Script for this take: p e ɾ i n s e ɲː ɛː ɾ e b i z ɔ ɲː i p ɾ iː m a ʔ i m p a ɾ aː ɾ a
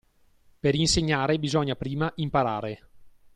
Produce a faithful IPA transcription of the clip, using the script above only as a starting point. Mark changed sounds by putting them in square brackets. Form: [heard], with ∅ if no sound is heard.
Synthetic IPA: p e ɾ i n s e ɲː [aː] ɾ e b i z ɔ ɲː [a] p ɾ iː m a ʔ i m p a ɾ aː ɾ [e]